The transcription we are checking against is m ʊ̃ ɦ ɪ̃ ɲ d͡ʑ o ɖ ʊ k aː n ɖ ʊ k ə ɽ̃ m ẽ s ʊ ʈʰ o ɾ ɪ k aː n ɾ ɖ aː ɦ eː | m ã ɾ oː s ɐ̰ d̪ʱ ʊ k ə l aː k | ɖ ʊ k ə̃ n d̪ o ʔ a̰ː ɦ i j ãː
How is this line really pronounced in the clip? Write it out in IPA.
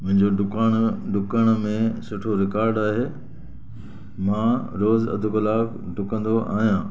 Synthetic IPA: m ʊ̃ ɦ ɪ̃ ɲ d͡ʑ o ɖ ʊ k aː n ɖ ʊ k ə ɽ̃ m ẽ s ʊ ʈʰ o ɾ ɪ k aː ɾ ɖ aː ɦ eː | m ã ɾ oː z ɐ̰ d̪ʱ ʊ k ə l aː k | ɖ ʊ k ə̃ n d̪ o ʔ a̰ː ɦ i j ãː